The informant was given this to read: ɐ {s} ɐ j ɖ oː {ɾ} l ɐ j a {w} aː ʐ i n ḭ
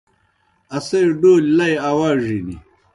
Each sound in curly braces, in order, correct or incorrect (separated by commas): correct, incorrect, correct